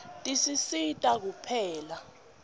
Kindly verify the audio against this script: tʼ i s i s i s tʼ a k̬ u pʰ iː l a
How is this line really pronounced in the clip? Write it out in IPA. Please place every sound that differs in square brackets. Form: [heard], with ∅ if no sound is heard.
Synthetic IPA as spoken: tʼ i s i s i [∅] tʼ a k̬ u pʰ [ɛː] l a